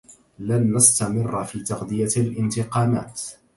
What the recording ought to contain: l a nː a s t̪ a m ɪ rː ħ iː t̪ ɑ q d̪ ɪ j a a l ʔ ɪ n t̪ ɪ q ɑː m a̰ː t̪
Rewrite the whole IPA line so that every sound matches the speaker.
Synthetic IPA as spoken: l a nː a s t̪ a m ɪ rː f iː t̪ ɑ q d̪ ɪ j a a l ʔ ɪ n t̪ ɪ q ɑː m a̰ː t̪